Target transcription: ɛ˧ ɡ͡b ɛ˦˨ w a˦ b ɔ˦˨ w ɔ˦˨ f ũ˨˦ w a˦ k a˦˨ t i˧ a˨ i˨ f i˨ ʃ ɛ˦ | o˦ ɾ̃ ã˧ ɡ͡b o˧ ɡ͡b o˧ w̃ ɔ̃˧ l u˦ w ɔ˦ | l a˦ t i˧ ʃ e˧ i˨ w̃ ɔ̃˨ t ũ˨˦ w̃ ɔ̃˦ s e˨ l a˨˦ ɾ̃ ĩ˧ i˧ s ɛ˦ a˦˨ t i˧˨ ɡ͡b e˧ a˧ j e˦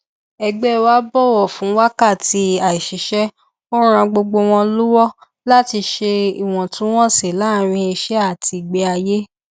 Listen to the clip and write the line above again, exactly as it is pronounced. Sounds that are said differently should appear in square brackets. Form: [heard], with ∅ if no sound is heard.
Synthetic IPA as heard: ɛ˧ ɡ͡b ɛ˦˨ w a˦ b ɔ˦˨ w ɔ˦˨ f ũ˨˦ w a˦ k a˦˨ t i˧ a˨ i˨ [ʃ] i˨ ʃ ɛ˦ | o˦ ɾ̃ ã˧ ɡ͡b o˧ ɡ͡b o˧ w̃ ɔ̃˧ l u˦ w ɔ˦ | l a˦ t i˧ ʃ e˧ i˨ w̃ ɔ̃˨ t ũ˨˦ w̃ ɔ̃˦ s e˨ l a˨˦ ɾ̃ ĩ˧ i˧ [ʃ] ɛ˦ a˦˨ t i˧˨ ɡ͡b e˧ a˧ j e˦